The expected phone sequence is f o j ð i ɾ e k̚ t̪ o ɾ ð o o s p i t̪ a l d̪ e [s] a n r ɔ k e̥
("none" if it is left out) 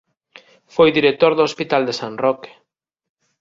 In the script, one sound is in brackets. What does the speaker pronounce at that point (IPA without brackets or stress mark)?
s